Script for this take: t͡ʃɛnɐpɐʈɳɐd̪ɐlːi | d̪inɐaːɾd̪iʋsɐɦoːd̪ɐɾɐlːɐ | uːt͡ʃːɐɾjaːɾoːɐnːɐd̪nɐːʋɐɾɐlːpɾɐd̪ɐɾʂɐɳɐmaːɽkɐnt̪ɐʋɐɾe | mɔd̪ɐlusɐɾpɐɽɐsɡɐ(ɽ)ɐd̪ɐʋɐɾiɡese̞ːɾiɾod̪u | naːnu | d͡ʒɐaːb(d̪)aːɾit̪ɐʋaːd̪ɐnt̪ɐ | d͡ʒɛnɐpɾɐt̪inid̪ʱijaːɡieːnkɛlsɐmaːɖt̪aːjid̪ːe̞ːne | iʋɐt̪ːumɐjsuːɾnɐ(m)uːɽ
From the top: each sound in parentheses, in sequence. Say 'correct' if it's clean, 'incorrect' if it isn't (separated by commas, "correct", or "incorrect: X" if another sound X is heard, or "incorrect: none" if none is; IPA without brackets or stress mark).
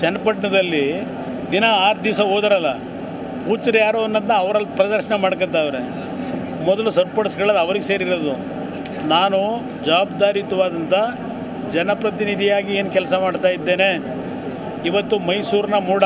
incorrect: ɭ, correct, correct